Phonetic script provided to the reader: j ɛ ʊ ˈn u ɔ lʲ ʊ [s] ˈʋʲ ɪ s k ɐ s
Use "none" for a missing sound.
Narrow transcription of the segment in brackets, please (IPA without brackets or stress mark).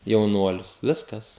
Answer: s